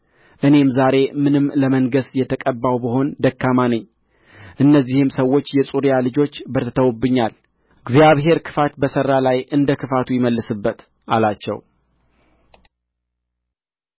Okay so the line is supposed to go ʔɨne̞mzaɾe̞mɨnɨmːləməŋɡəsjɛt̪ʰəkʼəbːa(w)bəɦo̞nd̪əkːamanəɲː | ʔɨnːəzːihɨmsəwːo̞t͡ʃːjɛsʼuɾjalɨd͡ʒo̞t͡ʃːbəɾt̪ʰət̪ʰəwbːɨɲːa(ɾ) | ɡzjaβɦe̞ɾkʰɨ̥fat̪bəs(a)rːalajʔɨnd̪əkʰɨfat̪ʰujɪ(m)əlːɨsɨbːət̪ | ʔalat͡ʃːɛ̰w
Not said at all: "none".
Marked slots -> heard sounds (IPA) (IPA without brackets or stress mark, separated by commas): w, l, ə, m